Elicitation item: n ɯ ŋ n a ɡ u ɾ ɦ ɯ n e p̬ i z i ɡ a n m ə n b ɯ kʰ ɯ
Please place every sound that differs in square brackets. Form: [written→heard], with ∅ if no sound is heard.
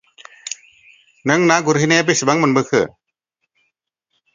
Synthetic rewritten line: n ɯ ŋ n a ɡ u ɾ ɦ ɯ n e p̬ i [z→s] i [ɡ→b] a [n→ŋ] m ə n b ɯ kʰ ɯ